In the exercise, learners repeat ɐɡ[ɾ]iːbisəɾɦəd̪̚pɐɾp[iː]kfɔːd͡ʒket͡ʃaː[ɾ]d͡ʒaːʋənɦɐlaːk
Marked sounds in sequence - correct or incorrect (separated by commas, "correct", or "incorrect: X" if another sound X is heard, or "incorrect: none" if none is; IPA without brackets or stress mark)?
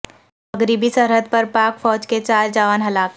correct, incorrect: aː, correct